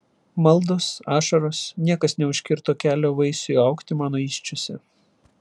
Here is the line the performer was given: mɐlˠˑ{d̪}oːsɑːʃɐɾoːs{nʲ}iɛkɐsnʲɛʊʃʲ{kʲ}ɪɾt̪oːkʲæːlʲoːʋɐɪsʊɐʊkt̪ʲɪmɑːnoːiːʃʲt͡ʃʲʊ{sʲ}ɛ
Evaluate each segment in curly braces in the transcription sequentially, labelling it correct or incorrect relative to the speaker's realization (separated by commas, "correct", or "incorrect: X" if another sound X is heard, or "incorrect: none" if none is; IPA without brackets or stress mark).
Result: correct, correct, correct, correct